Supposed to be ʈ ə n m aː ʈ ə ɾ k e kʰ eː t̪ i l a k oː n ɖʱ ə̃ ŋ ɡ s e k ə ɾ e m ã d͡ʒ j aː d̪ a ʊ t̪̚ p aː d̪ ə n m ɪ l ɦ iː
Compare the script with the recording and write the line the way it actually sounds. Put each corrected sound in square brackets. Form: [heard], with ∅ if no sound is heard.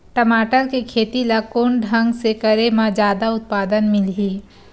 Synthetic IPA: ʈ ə [∅] m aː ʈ ə ɾ k e kʰ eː t̪ i l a k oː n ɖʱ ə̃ ŋ ɡ s e k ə ɾ e m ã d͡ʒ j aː d̪ a ʊ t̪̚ p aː d̪ ə n m ɪ l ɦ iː